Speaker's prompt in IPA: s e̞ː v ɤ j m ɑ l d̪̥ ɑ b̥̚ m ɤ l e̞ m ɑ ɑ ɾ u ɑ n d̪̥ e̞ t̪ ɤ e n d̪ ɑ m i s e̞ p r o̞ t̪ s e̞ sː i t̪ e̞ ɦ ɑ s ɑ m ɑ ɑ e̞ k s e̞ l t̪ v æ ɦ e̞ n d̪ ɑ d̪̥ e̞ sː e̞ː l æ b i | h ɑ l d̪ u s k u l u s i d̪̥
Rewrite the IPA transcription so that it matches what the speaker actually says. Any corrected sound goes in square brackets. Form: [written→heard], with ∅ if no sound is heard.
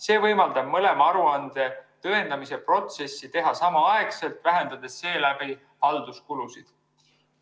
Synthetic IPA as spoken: s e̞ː v ɤ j m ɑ l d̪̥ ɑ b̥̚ m ɤ l e̞ m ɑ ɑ ɾ u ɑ n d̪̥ e̞ t̪ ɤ e n d̪ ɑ m i s e̞ p r o̞ t̪ s e̞ sː i t̪ e̞ ɦ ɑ s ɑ m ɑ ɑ e̞ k s e̞ l t̪ v æ ɦ e̞ n d̪ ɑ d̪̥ e̞ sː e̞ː l æ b i | h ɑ l d̪ u s k u l u s i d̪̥